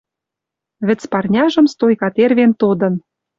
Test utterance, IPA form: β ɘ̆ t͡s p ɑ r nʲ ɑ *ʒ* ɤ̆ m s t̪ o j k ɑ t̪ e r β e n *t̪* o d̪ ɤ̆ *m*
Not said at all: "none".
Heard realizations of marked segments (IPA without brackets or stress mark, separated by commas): ʒ, t̪, n